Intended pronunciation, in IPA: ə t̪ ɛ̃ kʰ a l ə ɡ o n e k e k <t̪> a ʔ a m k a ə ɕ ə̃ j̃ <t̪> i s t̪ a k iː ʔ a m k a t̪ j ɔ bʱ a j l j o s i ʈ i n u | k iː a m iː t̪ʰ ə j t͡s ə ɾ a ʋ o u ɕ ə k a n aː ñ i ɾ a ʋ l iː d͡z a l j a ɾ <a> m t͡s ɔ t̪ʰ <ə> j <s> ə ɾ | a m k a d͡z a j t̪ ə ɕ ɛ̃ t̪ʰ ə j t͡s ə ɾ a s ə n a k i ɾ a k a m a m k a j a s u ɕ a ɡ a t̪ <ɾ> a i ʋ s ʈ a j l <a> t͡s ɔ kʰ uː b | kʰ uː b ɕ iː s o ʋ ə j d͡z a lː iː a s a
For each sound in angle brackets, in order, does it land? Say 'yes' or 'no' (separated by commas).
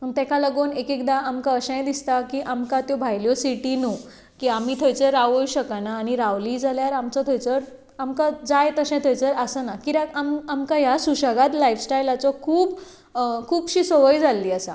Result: no, no, yes, yes, no, no, yes